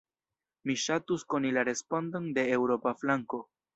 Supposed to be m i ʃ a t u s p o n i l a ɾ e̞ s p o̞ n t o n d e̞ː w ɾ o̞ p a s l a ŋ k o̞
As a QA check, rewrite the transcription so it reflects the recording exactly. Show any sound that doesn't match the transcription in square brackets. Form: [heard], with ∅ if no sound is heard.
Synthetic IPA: m i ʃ a t u s [k] o n i l a ɾ e̞ s p o̞ n [d] o n d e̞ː w ɾ o̞ p a [f] l a ŋ k o̞